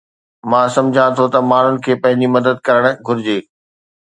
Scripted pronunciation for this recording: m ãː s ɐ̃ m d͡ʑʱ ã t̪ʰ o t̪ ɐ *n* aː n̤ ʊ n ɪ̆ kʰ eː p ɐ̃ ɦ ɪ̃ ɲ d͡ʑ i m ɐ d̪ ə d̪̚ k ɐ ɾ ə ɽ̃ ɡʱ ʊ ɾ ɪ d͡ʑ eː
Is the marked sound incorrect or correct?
incorrect